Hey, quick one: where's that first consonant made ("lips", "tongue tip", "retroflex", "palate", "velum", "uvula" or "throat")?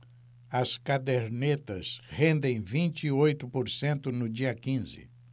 tongue tip